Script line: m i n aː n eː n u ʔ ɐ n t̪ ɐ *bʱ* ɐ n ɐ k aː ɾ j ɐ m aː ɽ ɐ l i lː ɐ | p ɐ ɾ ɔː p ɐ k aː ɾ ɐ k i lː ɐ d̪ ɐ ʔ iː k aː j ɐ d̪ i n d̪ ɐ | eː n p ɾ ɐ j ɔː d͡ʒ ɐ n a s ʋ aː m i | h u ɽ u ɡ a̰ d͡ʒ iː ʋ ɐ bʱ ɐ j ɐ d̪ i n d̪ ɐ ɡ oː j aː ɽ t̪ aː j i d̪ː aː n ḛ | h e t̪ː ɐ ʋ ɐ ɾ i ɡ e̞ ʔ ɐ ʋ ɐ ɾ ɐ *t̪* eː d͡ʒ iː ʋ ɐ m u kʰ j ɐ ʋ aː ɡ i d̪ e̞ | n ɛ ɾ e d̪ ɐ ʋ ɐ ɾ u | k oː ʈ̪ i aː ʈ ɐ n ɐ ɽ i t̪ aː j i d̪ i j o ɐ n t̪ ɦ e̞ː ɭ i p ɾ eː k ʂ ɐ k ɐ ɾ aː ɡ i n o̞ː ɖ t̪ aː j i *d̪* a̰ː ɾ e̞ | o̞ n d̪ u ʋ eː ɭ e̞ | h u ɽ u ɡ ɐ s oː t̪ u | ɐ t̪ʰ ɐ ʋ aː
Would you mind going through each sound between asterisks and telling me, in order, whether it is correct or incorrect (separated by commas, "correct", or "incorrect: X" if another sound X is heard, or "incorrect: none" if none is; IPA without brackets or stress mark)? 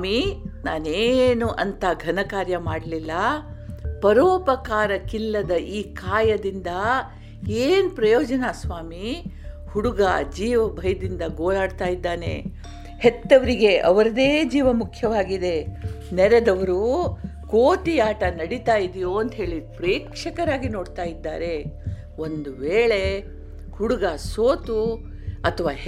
incorrect: ɡʱ, incorrect: d̪, incorrect: d̪ː